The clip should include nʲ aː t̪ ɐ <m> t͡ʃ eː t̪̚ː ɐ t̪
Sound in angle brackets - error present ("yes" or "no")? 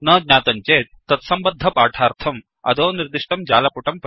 yes